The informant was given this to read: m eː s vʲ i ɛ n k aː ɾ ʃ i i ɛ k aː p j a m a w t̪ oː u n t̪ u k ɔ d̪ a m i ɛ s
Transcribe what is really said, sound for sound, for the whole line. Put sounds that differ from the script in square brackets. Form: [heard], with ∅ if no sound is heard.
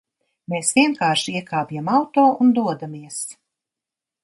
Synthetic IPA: m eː s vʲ i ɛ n k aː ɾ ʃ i i ɛ k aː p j a m a w t̪ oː u n [d̪] u [∅] ɔ d̪ a m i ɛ s